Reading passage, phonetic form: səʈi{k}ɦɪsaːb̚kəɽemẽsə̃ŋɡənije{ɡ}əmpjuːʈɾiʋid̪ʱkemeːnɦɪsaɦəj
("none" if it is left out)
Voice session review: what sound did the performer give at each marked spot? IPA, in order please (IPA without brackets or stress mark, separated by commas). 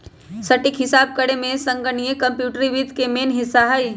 k, k